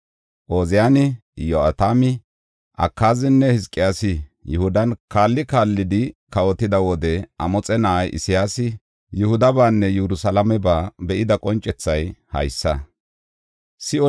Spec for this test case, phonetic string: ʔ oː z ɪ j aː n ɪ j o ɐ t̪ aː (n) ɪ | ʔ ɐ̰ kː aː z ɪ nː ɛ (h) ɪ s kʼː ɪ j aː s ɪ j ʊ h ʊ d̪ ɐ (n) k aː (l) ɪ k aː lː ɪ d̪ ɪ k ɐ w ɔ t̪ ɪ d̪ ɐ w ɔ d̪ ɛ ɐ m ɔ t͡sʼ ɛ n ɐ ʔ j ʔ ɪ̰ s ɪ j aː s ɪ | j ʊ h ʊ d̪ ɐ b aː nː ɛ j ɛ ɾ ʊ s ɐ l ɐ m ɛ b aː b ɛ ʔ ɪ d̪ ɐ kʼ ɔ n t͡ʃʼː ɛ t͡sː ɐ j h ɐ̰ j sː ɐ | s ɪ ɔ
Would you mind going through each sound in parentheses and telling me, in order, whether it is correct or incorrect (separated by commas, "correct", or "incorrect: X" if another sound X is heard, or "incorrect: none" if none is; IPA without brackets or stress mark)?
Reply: incorrect: m, correct, correct, incorrect: lː